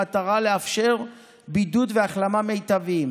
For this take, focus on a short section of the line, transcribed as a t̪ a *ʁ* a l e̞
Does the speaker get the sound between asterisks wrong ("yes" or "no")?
no